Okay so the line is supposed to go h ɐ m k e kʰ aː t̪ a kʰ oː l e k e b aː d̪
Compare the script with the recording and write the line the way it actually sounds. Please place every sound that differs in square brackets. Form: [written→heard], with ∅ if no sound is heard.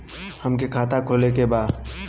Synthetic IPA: h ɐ m k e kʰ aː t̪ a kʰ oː l e k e b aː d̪